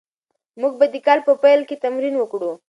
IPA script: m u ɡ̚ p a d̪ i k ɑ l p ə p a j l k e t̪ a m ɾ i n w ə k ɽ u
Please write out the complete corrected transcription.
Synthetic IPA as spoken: m u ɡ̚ b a d̪ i k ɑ l p ə p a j l k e t̪ a m ɾ i n w ə k ɽ u